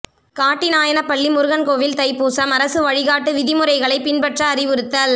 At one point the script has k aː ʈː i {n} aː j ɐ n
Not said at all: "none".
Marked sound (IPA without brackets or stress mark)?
n